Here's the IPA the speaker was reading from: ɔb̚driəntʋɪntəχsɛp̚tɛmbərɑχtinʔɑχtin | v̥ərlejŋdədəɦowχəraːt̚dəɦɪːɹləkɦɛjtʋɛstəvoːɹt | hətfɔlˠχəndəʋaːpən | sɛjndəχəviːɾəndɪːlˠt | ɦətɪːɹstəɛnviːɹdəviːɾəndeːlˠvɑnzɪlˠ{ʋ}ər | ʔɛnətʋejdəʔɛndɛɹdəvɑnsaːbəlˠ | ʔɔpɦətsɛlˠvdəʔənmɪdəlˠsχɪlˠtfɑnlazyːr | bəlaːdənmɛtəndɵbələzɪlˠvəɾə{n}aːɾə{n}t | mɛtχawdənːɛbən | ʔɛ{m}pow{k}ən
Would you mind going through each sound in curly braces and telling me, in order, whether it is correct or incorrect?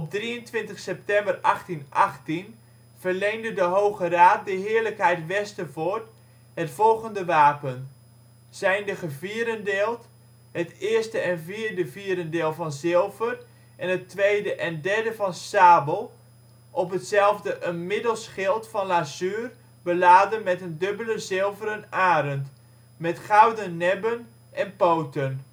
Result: incorrect: v, correct, correct, incorrect: n, incorrect: t

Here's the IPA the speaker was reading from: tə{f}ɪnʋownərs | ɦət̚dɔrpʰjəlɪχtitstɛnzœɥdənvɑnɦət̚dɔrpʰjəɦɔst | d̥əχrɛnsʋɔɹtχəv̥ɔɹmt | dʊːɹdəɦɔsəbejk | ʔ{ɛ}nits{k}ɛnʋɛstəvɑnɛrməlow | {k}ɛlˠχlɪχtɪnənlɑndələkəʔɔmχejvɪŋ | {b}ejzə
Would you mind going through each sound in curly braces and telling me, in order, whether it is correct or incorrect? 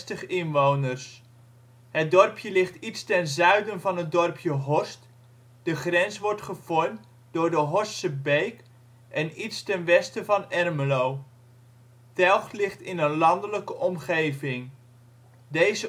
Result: incorrect: χ, correct, incorrect: t, incorrect: t, incorrect: d

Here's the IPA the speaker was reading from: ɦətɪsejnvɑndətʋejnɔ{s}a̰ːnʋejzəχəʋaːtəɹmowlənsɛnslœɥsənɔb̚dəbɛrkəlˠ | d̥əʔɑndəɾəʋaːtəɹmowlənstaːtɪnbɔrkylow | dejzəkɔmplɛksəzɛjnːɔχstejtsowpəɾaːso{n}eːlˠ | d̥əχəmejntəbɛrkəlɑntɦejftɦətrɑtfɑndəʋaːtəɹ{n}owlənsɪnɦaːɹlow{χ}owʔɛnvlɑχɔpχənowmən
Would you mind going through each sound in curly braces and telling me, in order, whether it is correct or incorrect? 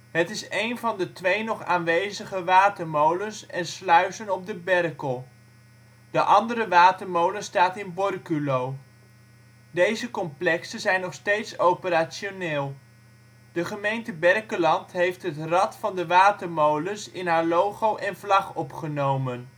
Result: incorrect: χ, correct, incorrect: m, correct

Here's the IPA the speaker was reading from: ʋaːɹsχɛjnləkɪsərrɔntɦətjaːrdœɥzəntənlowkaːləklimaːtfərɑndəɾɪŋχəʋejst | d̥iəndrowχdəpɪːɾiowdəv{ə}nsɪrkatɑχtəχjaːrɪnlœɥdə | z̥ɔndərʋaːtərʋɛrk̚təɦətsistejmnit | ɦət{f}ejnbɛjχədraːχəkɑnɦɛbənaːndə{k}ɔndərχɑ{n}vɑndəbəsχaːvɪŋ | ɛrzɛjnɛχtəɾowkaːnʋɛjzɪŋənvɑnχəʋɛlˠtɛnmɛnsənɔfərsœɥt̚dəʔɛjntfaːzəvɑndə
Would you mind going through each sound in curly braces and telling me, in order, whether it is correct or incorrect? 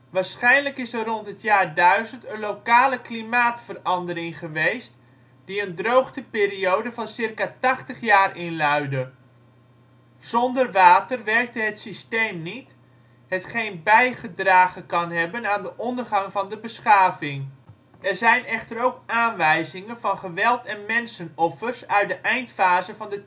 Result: incorrect: ɑ, incorrect: χ, incorrect: ʔ, incorrect: ŋ

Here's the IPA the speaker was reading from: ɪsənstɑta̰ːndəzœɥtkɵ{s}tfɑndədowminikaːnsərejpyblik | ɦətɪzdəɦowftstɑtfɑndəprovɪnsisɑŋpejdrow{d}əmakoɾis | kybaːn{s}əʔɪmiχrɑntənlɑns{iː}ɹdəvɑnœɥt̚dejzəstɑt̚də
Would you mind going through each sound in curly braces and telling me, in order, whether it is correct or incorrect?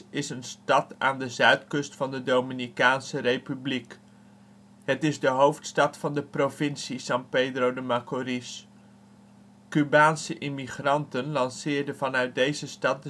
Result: correct, correct, correct, incorrect: ɪː

